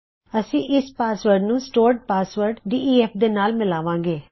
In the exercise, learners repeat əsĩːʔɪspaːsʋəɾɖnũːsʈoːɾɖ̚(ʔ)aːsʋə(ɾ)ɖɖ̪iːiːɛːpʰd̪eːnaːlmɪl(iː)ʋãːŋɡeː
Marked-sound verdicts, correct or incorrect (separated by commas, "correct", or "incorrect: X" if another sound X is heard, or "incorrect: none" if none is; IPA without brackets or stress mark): incorrect: p, correct, incorrect: aː